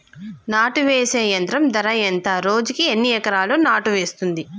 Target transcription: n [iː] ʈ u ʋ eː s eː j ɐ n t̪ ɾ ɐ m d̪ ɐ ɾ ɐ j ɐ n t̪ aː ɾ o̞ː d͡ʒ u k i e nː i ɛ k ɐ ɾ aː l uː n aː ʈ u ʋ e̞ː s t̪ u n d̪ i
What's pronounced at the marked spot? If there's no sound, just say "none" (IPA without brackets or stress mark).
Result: aː